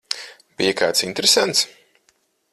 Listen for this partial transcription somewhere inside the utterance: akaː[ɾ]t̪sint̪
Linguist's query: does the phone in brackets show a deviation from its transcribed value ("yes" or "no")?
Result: yes